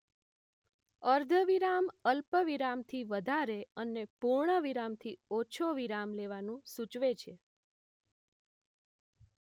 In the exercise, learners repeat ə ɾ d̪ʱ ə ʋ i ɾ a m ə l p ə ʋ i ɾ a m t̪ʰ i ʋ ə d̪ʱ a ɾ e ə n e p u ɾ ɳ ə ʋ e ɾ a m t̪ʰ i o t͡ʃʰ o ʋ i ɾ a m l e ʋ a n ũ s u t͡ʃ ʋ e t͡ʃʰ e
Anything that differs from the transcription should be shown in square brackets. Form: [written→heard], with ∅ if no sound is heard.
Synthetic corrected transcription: ə ɾ d̪ʱ ə ʋ i ɾ a m ə l p ə ʋ i ɾ a m t̪ʰ i ʋ ə d̪ʱ a ɾ e ə n e p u ɾ ɳ ə ʋ [e→i] ɾ a m t̪ʰ i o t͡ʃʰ o ʋ i ɾ a m l e ʋ a n ũ s u t͡ʃ ʋ e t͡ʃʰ e